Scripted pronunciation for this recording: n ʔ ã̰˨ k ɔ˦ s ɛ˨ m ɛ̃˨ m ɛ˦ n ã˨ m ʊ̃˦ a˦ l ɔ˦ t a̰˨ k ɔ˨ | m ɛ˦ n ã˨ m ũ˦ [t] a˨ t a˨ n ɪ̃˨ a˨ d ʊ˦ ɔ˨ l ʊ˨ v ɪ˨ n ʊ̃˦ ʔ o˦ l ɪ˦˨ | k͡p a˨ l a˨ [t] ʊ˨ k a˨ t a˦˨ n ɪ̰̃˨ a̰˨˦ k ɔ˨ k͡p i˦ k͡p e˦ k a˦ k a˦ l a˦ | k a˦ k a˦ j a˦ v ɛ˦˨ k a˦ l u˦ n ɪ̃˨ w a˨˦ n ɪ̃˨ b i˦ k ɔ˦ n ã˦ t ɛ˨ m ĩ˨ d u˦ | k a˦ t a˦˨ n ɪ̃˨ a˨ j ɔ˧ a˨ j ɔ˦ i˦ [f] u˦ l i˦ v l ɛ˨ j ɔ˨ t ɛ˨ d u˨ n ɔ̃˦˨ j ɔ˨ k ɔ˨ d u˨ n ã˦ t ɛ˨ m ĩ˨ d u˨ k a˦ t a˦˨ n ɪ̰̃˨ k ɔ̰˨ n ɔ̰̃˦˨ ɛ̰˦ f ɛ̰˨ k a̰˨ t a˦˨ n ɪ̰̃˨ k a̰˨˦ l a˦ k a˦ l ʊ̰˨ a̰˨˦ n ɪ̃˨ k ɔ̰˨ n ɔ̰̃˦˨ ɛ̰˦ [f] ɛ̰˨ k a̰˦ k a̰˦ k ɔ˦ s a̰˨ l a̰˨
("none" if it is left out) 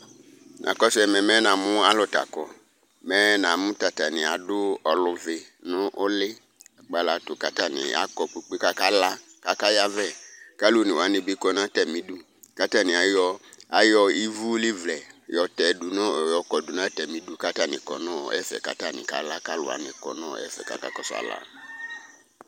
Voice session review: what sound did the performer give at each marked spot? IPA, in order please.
t, t, v, f

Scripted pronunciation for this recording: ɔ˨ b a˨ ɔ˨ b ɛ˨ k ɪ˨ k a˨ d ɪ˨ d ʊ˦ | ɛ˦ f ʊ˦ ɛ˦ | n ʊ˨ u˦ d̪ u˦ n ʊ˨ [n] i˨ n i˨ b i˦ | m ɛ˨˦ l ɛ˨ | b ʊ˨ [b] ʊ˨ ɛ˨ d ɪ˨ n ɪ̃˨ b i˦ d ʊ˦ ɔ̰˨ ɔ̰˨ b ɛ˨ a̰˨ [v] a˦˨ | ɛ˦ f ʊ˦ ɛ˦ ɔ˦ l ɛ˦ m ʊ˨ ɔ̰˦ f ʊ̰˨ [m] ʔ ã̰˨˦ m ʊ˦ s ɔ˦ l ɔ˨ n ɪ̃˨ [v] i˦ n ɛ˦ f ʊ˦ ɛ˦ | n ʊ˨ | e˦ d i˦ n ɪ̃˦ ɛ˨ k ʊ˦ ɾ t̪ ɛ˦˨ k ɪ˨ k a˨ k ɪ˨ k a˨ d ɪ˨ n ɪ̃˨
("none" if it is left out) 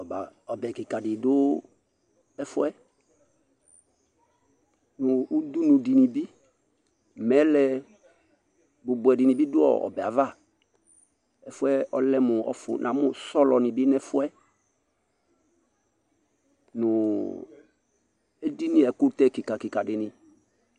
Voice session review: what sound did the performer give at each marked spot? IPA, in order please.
d, b, v, n, b

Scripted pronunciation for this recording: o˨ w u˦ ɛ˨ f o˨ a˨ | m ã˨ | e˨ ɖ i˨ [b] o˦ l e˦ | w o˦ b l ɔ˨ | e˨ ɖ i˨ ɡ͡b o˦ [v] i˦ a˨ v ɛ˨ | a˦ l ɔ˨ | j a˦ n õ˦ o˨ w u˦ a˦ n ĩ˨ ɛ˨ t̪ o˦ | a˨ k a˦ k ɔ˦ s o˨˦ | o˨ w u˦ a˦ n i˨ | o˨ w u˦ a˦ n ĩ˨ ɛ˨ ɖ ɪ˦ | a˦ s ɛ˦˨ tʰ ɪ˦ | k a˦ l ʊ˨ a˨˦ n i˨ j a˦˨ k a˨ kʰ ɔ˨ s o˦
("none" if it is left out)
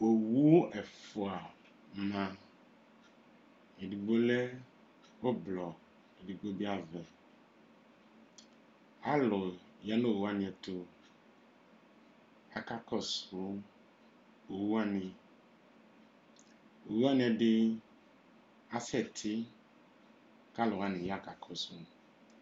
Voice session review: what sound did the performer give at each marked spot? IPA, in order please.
ɡ͡b, b

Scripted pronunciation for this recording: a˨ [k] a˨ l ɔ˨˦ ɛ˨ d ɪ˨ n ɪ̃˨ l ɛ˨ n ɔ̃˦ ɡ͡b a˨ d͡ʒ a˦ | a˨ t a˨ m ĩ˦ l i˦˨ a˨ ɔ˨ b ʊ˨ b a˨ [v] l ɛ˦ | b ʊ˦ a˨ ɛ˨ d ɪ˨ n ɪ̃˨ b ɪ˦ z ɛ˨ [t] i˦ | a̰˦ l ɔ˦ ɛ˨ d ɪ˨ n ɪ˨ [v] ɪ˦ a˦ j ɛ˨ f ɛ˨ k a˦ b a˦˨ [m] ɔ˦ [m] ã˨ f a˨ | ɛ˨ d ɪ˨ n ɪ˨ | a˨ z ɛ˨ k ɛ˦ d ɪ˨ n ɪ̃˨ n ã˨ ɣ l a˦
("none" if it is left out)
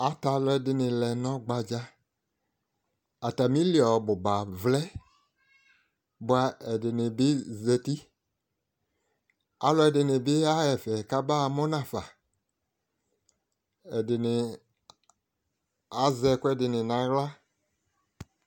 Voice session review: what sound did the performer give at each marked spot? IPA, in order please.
t, v, t, b, m, n

